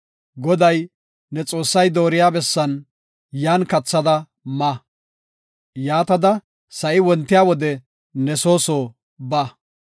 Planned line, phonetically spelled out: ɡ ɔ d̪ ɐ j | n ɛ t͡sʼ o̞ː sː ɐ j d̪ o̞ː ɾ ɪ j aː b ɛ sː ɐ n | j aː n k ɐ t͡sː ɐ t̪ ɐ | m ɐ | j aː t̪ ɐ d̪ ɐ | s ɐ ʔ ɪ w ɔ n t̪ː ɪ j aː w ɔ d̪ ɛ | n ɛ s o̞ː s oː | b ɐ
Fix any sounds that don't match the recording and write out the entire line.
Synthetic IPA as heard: ɡ ɔ d̪ ɐ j | n ɛ t͡sʼ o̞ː sː ɐ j d̪ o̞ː ɾ ɪ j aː b ɛ sː ɐ n | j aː n k ɐ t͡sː ɐ d̪ ɐ | m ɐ | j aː t̪ ɐ d̪ ɐ | s ɐ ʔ ɪ w ɔ n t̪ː ɪ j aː w ɔ d̪ ɛ | n ɛ s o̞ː s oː | b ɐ